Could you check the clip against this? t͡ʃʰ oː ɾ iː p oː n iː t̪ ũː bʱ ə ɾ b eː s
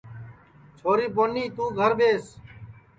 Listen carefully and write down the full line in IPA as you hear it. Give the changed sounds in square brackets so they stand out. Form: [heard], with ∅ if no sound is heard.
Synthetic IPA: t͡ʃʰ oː ɾ iː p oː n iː t̪ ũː [ɡʱ] ə ɾ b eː s